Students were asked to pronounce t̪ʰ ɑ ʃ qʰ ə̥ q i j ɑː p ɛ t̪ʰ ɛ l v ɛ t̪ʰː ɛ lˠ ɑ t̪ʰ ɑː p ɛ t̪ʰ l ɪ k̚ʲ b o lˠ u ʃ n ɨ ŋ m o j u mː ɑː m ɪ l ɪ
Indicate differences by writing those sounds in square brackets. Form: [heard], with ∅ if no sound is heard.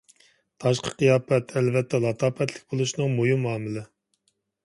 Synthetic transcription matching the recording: t̪ʰ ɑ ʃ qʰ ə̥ q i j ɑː p ɛ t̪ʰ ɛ l v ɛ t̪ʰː ɛ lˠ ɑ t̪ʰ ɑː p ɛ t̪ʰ l ɪ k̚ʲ b o lˠ u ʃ n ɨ ŋ m o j u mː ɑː m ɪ l ɪ